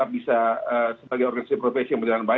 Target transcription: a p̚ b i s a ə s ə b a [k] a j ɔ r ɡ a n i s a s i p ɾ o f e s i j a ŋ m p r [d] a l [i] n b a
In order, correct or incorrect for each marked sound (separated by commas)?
incorrect, incorrect, incorrect